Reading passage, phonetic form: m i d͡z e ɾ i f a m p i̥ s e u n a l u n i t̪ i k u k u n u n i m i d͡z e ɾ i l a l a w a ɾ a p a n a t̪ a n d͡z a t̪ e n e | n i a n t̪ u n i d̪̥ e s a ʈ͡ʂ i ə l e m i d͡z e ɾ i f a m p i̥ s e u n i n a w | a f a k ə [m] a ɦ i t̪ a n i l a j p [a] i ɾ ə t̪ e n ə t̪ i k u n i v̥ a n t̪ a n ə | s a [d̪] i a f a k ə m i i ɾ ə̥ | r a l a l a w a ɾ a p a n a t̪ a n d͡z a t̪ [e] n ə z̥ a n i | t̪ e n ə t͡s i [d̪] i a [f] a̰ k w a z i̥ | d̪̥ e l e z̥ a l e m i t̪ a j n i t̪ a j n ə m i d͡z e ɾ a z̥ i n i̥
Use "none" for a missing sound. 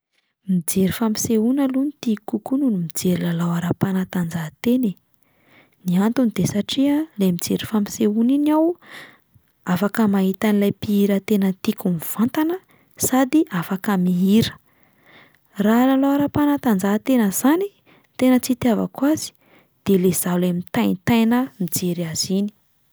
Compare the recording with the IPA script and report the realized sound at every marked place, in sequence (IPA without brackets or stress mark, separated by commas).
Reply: m, i, d̪, e, t̪, v